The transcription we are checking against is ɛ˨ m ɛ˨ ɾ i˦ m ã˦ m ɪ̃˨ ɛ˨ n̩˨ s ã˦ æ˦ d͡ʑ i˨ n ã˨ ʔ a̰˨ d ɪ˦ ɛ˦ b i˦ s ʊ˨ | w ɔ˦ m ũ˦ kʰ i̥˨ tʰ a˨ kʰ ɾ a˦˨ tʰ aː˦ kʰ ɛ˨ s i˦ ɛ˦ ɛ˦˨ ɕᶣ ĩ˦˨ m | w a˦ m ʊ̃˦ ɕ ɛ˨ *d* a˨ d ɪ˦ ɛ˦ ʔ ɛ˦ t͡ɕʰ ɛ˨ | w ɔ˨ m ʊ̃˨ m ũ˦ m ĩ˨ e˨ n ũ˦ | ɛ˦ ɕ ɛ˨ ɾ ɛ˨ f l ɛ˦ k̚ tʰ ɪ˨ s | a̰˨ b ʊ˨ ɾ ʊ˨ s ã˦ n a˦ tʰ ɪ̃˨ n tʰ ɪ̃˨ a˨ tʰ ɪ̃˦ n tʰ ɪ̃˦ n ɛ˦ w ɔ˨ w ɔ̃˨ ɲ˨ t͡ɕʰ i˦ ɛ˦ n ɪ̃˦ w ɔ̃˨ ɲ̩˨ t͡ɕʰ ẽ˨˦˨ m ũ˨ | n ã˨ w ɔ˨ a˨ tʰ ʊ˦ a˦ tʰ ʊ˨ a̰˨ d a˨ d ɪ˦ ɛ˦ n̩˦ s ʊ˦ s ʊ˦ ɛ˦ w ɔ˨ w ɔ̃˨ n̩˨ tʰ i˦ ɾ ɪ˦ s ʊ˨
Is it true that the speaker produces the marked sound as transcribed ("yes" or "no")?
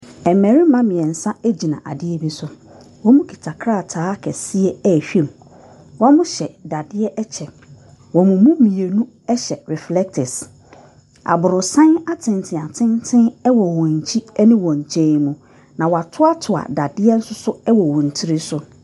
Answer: yes